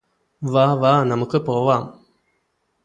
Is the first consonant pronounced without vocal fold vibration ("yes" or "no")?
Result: no